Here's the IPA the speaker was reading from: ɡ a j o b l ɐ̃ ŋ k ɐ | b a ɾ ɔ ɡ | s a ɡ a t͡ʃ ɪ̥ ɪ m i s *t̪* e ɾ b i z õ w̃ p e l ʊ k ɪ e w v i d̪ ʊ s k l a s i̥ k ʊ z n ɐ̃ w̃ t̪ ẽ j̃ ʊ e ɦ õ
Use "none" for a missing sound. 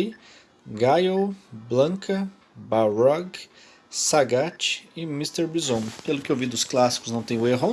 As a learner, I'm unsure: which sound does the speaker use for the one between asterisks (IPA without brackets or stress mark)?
t̪